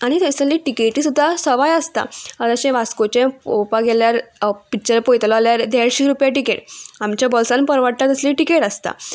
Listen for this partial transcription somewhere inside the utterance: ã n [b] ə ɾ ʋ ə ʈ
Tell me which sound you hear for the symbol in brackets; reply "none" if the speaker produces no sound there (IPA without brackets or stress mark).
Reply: p